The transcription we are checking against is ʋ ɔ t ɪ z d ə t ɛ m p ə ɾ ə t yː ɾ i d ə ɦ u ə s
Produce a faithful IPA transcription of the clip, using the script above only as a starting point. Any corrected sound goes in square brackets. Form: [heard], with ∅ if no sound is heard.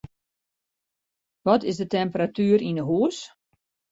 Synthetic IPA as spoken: ʋ ɔ t ɪ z d ə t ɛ m p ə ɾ [a] t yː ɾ i [n] ə ɦ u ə s